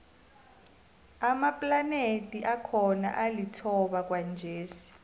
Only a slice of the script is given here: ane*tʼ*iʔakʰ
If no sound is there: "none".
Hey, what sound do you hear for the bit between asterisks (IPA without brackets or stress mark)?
tʼ